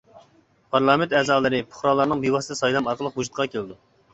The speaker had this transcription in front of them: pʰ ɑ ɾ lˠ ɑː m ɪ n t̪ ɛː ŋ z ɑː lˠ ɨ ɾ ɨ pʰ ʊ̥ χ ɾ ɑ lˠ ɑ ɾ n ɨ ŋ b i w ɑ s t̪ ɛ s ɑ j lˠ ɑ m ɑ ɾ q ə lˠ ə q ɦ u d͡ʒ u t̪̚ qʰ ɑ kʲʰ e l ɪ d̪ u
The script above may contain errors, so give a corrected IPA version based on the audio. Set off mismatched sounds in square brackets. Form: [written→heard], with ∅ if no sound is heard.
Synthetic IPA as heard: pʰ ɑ ɾ lˠ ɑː m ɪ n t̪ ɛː [ŋ→∅] z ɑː lˠ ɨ ɾ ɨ pʰ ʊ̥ χ ɾ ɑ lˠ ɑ ɾ n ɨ ŋ b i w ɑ s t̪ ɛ s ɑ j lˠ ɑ m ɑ ɾ q ə lˠ ə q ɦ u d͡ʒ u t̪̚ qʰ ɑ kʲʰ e l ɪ d̪ u